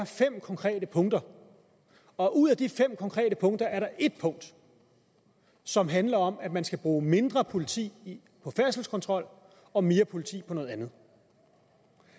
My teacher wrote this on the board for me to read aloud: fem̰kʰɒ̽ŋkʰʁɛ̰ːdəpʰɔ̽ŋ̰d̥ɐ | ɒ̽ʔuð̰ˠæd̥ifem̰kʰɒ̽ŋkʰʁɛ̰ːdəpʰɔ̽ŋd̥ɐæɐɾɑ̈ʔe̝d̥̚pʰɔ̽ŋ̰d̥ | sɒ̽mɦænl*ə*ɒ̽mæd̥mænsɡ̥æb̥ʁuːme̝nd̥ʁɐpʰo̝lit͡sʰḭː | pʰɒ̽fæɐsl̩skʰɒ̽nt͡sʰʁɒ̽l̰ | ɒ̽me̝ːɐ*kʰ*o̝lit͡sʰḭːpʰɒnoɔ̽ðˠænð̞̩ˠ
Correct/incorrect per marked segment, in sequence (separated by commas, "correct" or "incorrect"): incorrect, incorrect